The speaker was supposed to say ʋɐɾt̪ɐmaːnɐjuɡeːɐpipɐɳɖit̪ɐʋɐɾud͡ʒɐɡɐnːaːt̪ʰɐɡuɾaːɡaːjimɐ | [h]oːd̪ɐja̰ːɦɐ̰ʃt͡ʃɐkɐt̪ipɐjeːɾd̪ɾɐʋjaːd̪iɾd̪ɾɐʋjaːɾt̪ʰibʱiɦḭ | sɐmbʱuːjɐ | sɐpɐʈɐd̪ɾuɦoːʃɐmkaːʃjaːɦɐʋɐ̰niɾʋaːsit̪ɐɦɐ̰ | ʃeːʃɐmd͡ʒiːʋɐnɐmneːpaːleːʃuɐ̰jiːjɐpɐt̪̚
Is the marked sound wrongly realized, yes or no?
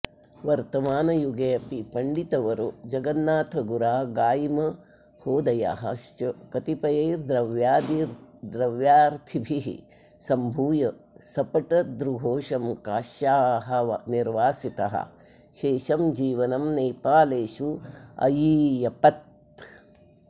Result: no